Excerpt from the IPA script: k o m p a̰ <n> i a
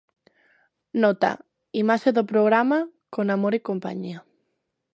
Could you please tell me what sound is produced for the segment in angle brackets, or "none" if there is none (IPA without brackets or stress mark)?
ɲ